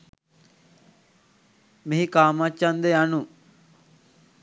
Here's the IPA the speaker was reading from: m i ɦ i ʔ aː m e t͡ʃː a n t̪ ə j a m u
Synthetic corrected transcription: m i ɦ i k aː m a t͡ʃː a n d̪ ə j a n u